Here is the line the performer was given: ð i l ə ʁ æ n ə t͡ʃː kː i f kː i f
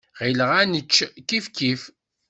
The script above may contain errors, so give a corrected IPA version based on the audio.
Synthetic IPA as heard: ʁ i l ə ʁ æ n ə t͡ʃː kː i f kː i f

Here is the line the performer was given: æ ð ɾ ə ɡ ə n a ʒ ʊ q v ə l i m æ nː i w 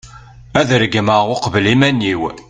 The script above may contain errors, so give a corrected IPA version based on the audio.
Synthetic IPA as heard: æ ð ɾ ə ɡ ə m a ʁ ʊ q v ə l i m æ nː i w

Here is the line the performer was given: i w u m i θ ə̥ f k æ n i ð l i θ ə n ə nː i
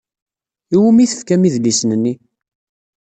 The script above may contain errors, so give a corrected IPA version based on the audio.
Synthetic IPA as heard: i w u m i θ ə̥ f k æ m i ð l i s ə n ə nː i

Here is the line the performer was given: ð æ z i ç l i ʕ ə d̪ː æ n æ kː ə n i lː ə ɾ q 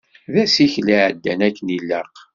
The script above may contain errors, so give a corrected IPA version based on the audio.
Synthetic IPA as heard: ð æ s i ç l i ʕ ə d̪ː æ n æ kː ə n i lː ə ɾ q

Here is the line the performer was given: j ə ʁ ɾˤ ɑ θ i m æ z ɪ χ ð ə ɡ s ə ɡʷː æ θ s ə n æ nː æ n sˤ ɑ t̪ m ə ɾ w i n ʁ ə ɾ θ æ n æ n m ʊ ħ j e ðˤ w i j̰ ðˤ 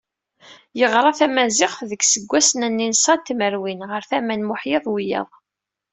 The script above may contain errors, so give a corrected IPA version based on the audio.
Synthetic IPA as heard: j ə ʁ ɾˤ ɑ θ æ m æ z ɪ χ ð ə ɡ s ə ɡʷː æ s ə n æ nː i n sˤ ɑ t̪ m ə ɾ w i n ʁ ə ɾ θ æ m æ n m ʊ ħ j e ðˤ w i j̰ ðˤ

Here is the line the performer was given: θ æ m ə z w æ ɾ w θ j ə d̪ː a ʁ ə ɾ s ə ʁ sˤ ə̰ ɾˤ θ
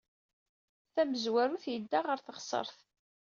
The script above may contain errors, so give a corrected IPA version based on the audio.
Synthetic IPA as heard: θ æ m ə z w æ ɾ u θ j ə d̪ː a ʁ ə ɾ θ ə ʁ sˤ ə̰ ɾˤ θ

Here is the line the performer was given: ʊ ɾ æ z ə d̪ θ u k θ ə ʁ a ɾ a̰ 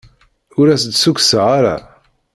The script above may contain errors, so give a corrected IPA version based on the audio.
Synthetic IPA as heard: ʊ ɾ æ s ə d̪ s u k s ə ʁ a ɾ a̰

